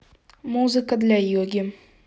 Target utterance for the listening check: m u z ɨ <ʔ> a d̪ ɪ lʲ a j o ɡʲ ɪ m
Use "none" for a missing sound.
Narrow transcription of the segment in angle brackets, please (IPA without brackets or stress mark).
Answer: k